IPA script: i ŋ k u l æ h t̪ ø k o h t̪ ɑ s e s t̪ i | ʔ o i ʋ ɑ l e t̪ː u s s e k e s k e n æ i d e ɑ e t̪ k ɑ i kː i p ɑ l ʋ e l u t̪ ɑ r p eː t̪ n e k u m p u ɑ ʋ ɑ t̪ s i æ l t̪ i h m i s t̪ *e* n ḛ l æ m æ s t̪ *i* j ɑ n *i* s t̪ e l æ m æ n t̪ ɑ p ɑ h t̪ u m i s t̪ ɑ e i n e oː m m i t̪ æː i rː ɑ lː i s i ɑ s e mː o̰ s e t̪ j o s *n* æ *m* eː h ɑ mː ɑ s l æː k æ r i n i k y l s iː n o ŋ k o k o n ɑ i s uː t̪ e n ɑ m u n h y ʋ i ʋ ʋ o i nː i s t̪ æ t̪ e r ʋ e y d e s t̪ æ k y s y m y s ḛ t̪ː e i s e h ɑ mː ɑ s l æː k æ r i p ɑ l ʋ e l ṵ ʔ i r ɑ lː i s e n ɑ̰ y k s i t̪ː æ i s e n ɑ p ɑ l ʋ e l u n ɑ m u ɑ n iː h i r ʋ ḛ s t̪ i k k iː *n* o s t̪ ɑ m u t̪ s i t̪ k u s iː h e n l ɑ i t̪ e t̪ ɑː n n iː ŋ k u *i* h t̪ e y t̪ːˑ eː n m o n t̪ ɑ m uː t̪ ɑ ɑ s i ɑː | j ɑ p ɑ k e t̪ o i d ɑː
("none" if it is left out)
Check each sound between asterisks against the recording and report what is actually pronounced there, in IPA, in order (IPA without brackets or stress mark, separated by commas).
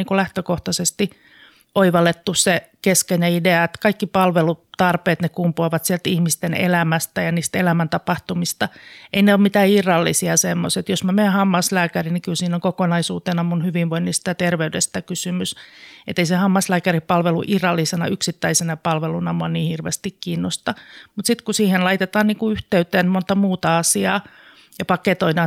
e, æ, iː, m, m, nː, y